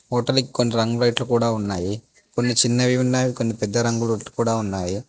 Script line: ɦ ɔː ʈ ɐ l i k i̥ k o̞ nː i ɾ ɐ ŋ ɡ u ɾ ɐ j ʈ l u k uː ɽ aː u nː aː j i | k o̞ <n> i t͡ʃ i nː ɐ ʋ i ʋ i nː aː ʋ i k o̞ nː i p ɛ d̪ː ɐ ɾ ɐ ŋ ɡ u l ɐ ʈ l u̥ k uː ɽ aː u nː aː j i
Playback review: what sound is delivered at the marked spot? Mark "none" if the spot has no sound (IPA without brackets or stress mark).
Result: nː